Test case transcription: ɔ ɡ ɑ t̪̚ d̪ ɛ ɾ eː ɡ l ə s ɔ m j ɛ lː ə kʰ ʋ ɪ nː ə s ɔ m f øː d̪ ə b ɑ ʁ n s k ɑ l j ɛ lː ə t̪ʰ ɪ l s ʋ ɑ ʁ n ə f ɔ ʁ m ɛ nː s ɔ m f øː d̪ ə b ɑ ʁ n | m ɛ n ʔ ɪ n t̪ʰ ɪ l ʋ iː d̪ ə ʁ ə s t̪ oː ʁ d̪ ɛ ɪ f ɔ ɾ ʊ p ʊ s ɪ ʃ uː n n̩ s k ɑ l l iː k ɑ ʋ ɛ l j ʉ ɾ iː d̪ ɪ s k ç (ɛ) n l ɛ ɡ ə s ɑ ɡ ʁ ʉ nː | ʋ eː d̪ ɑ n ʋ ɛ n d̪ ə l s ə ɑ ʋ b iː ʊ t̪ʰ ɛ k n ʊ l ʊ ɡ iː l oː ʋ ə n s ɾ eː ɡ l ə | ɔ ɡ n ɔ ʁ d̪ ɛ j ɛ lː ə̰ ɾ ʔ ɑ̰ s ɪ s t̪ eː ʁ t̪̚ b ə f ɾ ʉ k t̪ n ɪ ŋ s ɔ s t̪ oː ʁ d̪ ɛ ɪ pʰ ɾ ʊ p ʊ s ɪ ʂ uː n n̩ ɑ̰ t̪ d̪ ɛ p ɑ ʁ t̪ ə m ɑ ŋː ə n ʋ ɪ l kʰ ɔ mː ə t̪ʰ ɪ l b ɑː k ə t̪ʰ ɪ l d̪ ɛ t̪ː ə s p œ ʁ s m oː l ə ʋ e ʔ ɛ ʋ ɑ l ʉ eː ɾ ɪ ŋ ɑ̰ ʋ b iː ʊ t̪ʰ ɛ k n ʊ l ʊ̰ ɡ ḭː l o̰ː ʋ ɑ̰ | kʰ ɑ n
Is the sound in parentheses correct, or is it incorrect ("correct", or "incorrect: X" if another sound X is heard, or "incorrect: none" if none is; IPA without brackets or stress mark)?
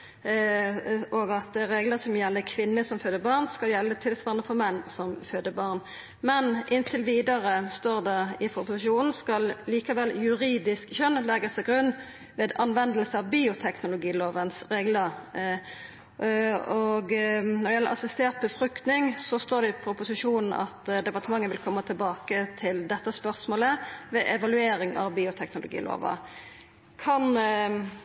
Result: incorrect: œ